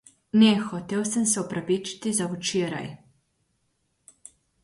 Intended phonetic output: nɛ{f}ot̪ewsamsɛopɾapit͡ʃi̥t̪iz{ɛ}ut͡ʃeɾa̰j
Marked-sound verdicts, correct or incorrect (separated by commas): incorrect, incorrect